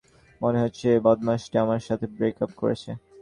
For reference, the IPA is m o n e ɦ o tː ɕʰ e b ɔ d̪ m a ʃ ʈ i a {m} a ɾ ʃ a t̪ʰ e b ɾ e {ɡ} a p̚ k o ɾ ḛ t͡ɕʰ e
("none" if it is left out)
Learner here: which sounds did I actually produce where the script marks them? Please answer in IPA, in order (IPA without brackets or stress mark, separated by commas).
m, k